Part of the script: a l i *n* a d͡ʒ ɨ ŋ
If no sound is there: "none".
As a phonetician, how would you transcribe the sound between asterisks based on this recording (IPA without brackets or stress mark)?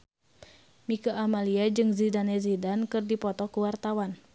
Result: none